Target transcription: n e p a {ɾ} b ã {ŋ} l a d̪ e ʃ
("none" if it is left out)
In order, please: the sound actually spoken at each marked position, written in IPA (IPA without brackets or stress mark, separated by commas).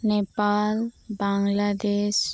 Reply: l, ŋ